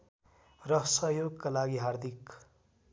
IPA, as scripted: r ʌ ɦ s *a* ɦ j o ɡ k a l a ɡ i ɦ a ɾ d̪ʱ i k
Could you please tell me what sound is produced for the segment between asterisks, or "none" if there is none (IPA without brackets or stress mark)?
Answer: ʌ